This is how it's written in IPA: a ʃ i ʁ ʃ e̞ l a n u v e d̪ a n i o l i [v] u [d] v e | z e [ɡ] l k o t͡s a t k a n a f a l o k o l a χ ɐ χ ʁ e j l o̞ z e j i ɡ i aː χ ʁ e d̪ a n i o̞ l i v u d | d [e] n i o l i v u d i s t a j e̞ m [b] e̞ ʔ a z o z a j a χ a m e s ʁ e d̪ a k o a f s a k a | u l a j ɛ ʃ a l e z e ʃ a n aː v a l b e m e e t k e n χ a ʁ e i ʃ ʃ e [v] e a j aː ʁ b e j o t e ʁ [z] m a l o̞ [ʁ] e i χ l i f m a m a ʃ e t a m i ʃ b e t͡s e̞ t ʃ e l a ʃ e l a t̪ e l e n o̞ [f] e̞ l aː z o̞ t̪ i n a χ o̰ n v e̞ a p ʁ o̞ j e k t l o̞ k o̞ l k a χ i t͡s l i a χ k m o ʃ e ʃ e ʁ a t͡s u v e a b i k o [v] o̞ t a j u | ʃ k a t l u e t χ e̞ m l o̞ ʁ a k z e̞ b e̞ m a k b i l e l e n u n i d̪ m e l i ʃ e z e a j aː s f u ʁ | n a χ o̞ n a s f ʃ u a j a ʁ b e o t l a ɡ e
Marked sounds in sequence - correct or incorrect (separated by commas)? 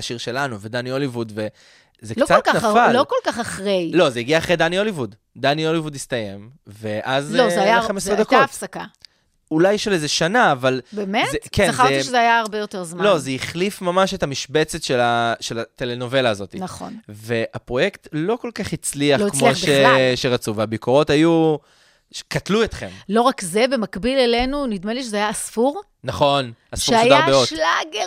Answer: correct, correct, incorrect, incorrect, incorrect, incorrect, correct, incorrect, incorrect, incorrect